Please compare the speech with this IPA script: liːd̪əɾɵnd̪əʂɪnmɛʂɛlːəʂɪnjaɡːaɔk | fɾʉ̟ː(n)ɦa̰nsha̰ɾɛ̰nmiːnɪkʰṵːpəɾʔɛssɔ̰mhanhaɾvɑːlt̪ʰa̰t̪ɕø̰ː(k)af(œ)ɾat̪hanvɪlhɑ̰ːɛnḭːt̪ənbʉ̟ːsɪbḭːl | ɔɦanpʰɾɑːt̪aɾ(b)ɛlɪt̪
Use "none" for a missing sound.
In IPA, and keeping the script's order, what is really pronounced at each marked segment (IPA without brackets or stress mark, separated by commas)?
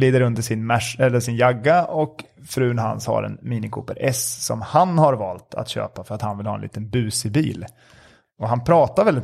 n, p, œ, v